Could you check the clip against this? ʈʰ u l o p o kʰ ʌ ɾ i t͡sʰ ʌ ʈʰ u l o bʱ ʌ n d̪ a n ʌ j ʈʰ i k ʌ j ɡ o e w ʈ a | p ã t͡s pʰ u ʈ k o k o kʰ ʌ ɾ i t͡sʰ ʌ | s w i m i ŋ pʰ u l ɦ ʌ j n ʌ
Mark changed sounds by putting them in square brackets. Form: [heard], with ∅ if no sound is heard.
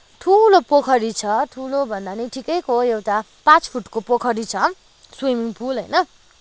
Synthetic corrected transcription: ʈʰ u l o p o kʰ ʌ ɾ i t͡sʰ ʌ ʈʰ u l o bʱ ʌ n d̪ a n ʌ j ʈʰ i k ʌ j [k] o e w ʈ a | p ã t͡s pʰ u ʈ k o [p] o kʰ ʌ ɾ i t͡sʰ ʌ | s w i m i ŋ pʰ u l ɦ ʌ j n ʌ

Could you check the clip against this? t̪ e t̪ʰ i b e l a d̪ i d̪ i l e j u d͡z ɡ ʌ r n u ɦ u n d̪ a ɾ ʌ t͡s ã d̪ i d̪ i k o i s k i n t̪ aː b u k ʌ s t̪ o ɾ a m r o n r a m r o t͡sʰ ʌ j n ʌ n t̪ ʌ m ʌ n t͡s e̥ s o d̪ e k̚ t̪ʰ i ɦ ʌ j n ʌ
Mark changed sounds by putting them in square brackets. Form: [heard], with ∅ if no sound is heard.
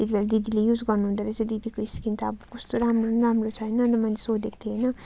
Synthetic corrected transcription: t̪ e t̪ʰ i b e l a d̪ i d̪ i l e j u d͡z ɡ ʌ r n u ɦ u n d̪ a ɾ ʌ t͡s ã d̪ i d̪ i k o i s k i n t̪ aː b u k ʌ s t̪ o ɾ a m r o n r a m r o t͡sʰ ʌ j n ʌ n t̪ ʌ m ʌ n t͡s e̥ s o d̪ e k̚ t̪ʰ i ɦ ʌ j n ʌ

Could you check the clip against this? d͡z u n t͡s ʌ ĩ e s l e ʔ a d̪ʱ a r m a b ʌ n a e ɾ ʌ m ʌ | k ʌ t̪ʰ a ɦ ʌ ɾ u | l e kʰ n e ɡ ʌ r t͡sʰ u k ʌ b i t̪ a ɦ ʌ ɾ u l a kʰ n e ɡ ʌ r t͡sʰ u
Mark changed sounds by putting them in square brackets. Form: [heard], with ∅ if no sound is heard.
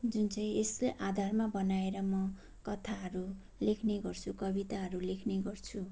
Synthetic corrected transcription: d͡z u n t͡s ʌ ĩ e s l e ʔ a d̪ʱ a r m a b ʌ n a e ɾ ʌ m ʌ | k ʌ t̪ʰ a ɦ ʌ ɾ u | l e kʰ n e ɡ ʌ r t͡sʰ u k ʌ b i t̪ a ɦ ʌ ɾ u l [e] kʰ n e ɡ ʌ r t͡sʰ u

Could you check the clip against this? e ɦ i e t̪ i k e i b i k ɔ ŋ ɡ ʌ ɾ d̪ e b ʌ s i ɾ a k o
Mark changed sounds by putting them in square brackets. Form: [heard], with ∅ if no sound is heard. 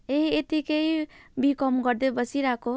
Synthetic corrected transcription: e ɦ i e t̪ i k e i b i k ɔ [m] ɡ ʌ ɾ d̪ e b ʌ s i ɾ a k o

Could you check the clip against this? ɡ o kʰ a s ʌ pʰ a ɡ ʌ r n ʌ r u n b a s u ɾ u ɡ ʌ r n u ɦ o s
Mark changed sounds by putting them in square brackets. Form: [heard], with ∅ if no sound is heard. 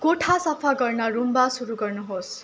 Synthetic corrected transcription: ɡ o [ʈʰ] a s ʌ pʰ a ɡ ʌ r n ʌ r u [m] b a s u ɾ u ɡ ʌ r n u ɦ o s

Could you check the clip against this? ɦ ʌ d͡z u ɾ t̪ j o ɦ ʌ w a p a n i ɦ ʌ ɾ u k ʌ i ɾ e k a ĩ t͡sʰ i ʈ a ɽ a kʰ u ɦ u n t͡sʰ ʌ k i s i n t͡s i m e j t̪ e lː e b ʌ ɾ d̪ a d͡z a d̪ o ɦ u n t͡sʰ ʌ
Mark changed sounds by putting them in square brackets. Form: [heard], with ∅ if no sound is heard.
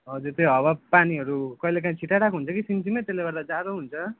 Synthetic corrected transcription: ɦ ʌ d͡z u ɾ t̪ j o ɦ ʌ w a p a n i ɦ ʌ ɾ u k ʌ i [l] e k a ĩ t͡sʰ i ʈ a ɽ a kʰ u ɦ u n t͡sʰ ʌ k i s i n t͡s i m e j t̪ e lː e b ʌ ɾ d̪ a d͡z a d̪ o ɦ u n t͡sʰ ʌ

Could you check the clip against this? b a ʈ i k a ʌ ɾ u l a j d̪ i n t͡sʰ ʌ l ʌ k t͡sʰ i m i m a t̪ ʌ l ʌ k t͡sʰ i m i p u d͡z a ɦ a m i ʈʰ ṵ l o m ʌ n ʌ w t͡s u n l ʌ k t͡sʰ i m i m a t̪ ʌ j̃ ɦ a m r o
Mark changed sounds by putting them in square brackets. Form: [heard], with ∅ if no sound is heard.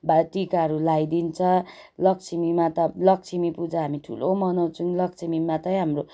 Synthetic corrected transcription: b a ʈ i k a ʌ ɾ u l a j d̪ i n t͡sʰ ʌ l ʌ k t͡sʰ i m i m a t̪ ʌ l ʌ k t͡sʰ i m i p u d͡z a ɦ a m i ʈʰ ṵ l o m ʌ n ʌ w t͡s u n l ʌ k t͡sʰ i m i m a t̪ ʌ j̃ ɦ a m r o

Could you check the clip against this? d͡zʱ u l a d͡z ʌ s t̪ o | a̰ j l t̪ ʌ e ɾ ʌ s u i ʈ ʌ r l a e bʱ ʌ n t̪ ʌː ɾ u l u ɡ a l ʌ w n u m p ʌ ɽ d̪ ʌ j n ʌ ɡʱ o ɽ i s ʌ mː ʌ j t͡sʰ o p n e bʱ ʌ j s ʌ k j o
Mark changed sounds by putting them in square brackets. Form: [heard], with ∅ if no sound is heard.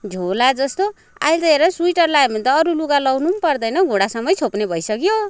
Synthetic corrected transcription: d͡zʱ [o] l a d͡z ʌ s t̪ o | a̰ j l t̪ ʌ e ɾ ʌ s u i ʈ ʌ r l a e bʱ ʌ n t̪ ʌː ɾ u l u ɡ a l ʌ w n u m p ʌ [r] d̪ ʌ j n ʌ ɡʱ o ɽ [a] s ʌ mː ʌ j t͡sʰ o p n e bʱ ʌ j s ʌ k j o

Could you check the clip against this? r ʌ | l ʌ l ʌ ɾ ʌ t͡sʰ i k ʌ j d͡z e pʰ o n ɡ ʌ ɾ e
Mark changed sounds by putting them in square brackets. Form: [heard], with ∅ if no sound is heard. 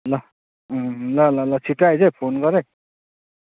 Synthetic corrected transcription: [l] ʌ | l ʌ l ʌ [l] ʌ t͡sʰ i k [a] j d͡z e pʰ o n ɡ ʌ ɾ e

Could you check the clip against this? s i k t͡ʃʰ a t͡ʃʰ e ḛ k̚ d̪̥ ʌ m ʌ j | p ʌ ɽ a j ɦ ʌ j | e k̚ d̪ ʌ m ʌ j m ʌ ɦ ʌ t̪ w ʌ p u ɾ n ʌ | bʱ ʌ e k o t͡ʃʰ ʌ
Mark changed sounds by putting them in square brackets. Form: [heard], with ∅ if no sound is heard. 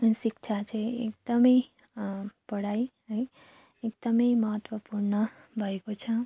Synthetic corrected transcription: s i k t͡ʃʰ a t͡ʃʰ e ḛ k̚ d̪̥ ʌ m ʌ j | p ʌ ɽ a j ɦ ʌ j | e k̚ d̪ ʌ m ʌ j m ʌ ɦ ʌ t̪ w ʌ p u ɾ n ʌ | bʱ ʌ e k o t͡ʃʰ ʌ

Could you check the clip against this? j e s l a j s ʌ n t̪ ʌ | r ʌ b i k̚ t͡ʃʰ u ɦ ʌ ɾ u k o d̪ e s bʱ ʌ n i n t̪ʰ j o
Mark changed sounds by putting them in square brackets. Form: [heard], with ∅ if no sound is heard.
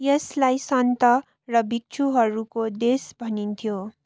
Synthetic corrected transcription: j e s l a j s ʌ n t̪ ʌ | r ʌ b i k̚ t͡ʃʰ u ɦ ʌ ɾ u k o d̪ e s bʱ ʌ n i n t̪ʰ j o

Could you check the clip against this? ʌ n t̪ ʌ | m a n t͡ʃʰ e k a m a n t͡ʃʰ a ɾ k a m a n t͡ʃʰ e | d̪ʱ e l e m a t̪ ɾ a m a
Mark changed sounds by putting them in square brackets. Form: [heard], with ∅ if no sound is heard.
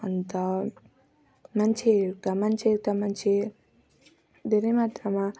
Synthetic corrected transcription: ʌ n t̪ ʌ | m a n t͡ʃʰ e k a m a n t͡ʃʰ [e] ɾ k a m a n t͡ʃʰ e | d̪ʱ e [ɾ] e m a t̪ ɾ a m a

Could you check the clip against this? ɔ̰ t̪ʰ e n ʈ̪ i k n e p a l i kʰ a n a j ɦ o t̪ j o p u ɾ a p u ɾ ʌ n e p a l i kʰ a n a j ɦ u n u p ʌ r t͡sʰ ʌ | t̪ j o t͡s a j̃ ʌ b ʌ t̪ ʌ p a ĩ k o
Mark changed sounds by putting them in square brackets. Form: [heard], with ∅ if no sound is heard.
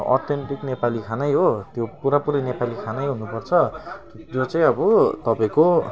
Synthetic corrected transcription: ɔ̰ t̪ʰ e n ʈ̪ i k n e p a l i kʰ a n a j ɦ o t̪ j o p u ɾ a p u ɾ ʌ n e p a l i kʰ a n a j ɦ u n u p ʌ r t͡sʰ ʌ | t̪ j o t͡s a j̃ ʌ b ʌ t̪ ʌ p a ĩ k o

